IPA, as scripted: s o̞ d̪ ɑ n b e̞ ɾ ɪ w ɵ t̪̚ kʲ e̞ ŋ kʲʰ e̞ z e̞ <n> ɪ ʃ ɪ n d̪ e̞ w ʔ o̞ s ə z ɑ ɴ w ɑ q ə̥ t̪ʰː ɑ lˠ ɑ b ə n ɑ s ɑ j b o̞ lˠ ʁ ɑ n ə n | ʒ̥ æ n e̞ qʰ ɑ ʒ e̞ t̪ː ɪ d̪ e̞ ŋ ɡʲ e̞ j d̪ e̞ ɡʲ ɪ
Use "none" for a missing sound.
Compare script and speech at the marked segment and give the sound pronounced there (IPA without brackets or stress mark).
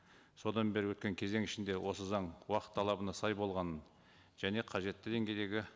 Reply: ŋ